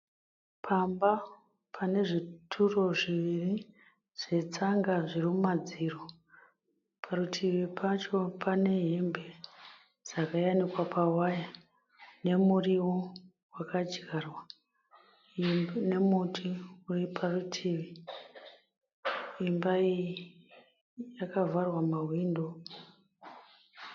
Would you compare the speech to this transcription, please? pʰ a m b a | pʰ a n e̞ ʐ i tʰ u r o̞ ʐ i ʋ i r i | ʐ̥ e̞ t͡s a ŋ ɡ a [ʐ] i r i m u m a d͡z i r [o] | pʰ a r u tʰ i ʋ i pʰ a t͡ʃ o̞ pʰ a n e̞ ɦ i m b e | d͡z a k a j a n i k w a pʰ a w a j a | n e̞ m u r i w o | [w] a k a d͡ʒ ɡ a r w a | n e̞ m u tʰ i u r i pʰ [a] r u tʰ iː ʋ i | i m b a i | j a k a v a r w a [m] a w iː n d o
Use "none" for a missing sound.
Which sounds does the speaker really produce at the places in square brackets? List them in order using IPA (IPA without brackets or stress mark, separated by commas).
ʐ, o, w, a, m